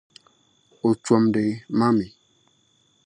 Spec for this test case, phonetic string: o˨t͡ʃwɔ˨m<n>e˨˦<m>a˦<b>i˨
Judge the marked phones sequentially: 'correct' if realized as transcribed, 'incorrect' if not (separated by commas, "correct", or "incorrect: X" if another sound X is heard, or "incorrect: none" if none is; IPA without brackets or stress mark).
incorrect: d, correct, incorrect: m